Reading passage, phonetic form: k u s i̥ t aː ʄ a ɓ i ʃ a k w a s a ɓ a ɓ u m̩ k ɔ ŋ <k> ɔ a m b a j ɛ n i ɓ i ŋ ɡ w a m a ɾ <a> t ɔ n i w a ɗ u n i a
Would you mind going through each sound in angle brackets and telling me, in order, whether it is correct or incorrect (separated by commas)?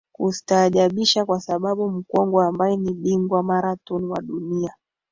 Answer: incorrect, correct